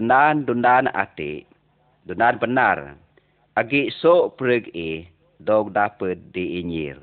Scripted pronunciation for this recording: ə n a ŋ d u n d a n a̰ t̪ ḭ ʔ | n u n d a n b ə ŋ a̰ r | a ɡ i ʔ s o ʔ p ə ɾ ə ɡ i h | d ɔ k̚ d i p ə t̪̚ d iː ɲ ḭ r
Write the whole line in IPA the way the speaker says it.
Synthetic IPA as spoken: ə n a n d u n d a n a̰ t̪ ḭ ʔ | d u n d a n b ə n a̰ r | a ɡ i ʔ s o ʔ p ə ɾ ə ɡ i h | d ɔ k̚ d a p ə t̪̚ d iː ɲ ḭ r